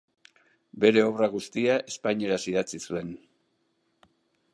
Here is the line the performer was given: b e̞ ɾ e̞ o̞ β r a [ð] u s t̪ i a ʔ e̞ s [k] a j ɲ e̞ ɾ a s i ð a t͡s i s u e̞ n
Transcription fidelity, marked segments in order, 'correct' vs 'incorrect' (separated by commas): incorrect, incorrect